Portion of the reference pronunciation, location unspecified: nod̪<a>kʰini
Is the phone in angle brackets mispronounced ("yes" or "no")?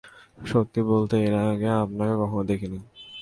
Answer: yes